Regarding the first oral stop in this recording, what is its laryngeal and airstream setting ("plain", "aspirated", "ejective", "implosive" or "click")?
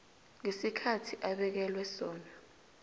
aspirated